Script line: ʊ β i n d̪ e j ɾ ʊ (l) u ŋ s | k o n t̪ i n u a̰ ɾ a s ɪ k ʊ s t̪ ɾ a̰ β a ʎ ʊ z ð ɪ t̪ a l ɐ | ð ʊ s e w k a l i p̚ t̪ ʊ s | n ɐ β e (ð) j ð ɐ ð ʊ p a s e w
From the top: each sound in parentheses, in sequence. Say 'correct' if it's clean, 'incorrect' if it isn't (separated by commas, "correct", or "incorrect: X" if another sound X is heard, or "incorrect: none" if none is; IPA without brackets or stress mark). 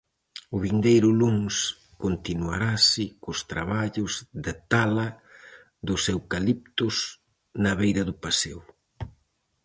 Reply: correct, incorrect: none